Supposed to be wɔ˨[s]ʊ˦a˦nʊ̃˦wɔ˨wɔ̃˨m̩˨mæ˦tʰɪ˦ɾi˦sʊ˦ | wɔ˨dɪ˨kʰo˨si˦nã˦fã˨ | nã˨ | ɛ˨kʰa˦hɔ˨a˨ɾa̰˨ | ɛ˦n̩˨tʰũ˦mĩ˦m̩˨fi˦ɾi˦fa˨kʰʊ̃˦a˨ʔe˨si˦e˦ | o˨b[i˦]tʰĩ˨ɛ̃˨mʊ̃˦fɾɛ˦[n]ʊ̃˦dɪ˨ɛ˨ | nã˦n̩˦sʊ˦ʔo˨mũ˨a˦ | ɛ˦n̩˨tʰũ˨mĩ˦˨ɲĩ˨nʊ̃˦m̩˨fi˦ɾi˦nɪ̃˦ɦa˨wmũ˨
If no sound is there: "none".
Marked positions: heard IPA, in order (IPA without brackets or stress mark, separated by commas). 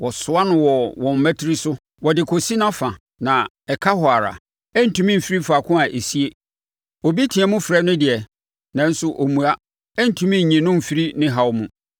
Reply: s, i˦, n